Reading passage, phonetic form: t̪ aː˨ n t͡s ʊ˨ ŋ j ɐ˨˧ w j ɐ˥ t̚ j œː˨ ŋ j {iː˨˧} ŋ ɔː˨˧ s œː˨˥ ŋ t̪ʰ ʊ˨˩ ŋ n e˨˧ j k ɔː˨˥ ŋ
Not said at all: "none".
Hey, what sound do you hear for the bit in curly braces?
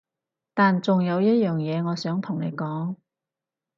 ɛː˨˧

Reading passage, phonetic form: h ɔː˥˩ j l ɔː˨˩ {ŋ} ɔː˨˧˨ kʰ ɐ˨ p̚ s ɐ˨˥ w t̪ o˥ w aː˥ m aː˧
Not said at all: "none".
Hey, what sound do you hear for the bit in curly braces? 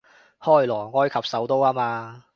ŋ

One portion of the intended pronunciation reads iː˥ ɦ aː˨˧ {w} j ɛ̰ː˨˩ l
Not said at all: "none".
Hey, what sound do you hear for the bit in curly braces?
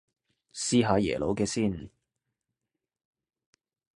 none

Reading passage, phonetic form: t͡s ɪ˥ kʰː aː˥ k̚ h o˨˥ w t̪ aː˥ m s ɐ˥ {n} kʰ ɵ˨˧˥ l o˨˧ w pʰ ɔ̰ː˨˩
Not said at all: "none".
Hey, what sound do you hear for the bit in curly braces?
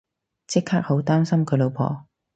m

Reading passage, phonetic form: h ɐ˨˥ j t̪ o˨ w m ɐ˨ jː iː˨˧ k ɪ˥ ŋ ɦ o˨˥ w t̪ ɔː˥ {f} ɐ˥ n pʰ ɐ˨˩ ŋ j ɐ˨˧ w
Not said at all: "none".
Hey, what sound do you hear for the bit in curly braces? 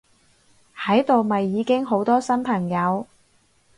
s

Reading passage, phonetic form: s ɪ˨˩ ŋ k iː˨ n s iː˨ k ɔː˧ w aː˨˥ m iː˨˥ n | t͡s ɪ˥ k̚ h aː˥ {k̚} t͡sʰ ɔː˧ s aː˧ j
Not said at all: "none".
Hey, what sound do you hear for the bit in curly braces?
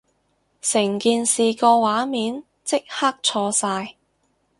k̚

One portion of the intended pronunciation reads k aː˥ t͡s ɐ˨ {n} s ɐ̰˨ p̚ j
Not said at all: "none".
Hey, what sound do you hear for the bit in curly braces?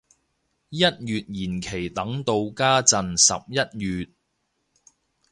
n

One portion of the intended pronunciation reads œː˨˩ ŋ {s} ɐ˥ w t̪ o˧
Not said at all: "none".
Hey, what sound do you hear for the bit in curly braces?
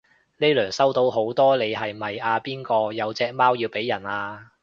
s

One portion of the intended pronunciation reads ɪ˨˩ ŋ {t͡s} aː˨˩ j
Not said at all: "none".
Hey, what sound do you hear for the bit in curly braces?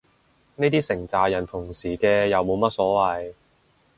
t͡s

